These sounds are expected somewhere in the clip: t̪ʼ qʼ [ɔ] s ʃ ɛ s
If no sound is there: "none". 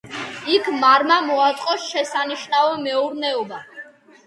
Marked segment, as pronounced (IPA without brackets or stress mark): ɔ